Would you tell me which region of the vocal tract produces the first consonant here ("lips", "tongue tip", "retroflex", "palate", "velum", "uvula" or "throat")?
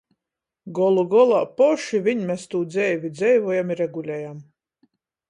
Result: velum